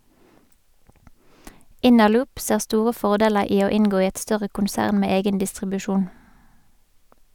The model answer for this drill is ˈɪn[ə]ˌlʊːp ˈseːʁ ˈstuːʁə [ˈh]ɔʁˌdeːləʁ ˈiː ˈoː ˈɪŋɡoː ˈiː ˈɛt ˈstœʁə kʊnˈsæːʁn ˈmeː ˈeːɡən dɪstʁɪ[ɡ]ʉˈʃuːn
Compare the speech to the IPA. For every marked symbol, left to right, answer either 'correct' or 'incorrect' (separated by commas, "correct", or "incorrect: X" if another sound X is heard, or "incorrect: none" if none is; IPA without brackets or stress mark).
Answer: correct, incorrect: f, incorrect: b